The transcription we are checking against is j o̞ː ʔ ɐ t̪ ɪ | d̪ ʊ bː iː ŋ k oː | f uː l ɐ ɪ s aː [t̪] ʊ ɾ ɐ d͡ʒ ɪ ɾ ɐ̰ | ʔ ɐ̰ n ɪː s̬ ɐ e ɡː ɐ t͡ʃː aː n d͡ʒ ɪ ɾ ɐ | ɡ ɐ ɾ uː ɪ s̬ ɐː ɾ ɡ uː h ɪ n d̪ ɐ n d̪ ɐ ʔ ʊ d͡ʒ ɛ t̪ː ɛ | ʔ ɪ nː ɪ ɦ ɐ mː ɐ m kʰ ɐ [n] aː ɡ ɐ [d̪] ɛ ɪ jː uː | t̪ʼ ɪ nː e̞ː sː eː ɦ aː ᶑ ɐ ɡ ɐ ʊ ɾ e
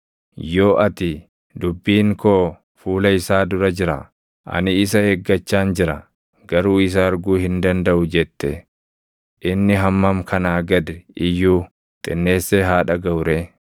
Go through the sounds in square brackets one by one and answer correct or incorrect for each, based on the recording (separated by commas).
incorrect, correct, correct